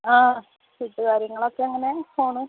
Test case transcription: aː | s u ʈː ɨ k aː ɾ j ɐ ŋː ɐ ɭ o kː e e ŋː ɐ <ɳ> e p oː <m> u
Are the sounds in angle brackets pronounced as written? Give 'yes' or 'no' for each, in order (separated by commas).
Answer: no, no